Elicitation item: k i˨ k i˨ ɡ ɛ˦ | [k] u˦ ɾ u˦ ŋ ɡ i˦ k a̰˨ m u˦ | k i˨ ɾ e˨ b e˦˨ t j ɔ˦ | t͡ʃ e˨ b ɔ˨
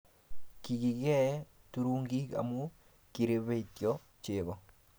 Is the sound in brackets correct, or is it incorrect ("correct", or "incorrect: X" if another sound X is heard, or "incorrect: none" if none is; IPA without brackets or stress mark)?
incorrect: t